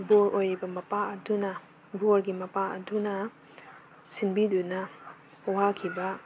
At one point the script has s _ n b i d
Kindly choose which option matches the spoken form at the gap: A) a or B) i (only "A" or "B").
B